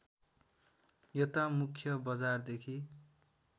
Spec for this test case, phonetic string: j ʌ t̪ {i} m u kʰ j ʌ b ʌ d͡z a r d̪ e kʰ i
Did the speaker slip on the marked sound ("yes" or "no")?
yes